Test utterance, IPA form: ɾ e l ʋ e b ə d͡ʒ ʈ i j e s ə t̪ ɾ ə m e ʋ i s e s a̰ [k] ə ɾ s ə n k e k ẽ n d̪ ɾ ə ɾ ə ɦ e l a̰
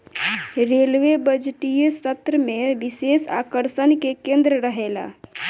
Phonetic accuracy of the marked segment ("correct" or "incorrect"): correct